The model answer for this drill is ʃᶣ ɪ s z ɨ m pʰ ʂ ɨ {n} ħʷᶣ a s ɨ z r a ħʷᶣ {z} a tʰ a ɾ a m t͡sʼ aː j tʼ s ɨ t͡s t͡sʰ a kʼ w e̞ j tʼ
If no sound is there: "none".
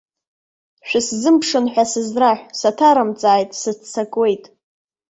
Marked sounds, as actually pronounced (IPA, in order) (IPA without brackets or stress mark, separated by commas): n, s